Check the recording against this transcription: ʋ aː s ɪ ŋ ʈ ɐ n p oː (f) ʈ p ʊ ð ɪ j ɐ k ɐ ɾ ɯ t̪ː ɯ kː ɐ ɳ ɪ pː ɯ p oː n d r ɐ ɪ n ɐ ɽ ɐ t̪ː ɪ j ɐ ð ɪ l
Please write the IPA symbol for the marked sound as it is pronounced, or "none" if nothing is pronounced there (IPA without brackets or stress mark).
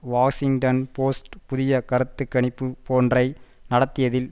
s